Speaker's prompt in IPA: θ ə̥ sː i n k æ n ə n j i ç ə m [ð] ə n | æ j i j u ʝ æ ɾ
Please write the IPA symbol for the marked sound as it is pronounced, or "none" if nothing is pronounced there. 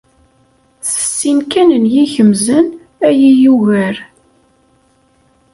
z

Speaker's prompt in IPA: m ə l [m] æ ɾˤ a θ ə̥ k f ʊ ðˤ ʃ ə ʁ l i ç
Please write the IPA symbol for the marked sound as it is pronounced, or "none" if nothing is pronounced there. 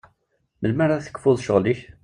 m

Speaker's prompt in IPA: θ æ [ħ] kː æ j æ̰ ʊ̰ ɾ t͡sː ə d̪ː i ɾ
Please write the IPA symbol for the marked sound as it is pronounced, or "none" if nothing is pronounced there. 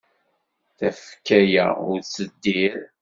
f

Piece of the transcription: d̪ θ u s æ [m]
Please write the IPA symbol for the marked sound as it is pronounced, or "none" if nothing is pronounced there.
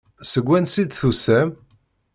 m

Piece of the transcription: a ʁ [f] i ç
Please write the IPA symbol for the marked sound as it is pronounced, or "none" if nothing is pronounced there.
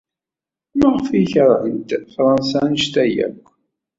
f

